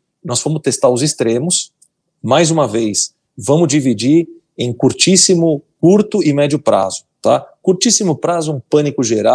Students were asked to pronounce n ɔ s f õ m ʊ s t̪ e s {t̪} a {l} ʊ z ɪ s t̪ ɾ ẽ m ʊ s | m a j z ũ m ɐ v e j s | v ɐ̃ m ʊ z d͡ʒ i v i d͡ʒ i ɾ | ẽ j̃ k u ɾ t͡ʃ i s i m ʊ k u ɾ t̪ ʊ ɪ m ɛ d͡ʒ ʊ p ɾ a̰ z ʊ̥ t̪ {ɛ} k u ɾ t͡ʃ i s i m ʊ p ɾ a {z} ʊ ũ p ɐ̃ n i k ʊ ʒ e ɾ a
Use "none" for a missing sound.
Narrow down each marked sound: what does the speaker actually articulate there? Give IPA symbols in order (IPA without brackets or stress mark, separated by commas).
t̪, ɾ, a, z